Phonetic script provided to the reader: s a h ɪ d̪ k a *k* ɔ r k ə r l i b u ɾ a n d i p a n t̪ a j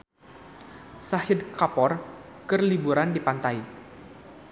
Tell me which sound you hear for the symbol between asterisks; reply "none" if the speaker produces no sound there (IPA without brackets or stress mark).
p